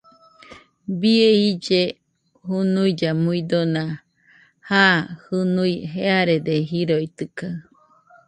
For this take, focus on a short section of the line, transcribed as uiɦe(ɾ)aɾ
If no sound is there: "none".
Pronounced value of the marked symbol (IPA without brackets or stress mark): none